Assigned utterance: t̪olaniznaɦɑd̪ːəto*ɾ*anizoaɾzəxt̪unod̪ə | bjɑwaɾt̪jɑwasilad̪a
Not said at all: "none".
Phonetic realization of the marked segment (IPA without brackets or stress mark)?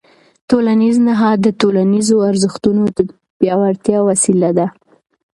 l